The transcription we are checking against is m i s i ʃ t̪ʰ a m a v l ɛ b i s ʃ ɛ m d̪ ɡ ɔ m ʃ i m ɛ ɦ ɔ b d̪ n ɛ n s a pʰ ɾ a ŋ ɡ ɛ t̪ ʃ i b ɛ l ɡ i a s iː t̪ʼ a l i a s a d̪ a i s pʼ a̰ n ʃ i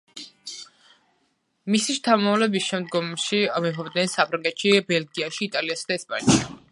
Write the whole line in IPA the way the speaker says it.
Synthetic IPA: m i s i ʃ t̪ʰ a m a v l ɛ b i s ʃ ɛ m d̪ ɡ ɔ m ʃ i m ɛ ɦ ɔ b d̪ n ɛ n s a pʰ ɾ a ŋ ɡ ɛ t̪ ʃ i b ɛ l ɡ i a ʃ iː t̪ʼ a l i a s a d̪ a ɛ s pʼ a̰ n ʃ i